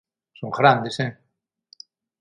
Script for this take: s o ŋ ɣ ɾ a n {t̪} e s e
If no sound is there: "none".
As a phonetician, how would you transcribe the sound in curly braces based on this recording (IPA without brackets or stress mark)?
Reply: d̪